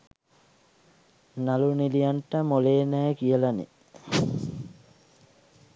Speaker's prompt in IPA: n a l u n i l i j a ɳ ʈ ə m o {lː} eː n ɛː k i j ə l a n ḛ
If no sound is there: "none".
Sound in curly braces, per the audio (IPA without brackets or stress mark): l